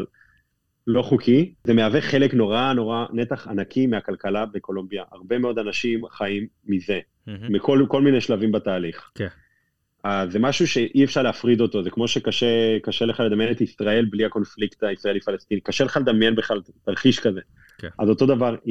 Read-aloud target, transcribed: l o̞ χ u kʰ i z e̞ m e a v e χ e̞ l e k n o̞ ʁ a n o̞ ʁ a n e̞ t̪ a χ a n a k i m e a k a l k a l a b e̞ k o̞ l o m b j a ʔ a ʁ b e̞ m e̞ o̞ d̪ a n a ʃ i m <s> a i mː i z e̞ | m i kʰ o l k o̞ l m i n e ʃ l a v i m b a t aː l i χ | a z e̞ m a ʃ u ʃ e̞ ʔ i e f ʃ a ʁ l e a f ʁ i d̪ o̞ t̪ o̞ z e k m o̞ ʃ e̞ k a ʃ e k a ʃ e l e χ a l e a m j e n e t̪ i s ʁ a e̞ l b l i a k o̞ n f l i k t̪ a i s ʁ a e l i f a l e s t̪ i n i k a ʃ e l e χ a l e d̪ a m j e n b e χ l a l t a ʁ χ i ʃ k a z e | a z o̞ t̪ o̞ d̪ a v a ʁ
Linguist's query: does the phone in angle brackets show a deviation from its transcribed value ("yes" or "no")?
yes